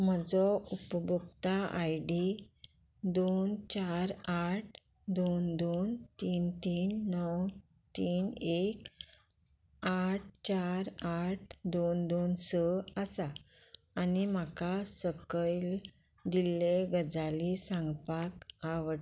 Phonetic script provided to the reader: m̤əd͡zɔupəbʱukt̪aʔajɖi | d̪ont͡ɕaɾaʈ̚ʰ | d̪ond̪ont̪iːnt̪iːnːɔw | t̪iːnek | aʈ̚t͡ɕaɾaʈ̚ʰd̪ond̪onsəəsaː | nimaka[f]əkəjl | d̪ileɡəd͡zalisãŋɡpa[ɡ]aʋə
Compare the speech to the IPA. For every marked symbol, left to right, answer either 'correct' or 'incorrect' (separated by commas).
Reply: incorrect, incorrect